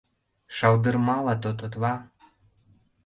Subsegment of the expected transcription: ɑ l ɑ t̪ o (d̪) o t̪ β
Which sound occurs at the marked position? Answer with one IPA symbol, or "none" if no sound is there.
t̪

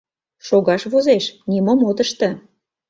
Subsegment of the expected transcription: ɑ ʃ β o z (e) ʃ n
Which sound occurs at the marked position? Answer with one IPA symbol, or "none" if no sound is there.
e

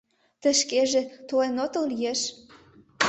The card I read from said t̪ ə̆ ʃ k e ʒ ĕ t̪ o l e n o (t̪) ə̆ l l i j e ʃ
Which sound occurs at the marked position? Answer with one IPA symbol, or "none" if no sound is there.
t̪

